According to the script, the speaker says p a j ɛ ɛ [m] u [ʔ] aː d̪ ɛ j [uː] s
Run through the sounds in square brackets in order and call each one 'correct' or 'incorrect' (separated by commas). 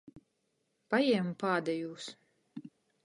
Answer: correct, incorrect, correct